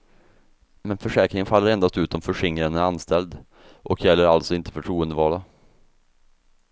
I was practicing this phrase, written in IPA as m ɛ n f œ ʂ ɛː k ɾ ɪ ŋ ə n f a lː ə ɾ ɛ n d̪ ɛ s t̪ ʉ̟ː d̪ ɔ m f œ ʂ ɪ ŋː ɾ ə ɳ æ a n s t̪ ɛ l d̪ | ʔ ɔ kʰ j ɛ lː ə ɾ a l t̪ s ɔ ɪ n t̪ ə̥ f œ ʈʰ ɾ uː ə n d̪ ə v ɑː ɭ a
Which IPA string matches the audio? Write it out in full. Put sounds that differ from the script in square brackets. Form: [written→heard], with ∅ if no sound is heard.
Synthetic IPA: m ɛ n f œ ʂ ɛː k ɾ ɪ ŋ ə n f a lː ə ɾ ɛ n d̪ [ɛ→a] s t̪ ʉ̟ː [d̪→t̪] ɔ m f œ ʂ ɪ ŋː ɾ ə [ɳ→n] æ a n s t̪ ɛ l d̪ | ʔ ɔ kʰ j ɛ lː ə ɾ a l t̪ s ɔ ɪ n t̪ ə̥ f œ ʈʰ ɾ uː ə n d̪ ə v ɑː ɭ a